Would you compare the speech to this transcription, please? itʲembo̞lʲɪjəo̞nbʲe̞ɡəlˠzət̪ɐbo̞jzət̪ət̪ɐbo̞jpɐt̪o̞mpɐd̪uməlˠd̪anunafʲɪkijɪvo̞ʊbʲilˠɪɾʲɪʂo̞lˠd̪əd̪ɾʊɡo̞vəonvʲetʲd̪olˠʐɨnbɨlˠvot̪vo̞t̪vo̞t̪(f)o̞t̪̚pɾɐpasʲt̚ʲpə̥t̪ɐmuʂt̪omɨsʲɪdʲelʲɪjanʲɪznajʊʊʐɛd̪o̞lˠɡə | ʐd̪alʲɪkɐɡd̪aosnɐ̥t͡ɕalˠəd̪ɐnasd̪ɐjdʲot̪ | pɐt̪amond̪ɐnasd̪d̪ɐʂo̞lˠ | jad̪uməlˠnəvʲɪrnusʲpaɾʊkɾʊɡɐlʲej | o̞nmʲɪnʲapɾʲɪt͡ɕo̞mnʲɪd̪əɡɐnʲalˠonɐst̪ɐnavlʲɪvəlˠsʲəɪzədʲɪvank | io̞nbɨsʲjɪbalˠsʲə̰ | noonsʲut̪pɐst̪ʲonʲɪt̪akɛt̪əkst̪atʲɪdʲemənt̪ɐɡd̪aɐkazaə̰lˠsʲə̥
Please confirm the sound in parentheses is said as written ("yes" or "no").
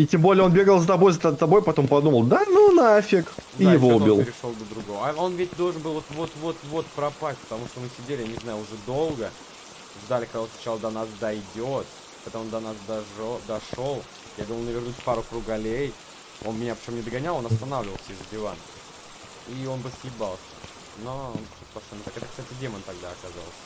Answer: no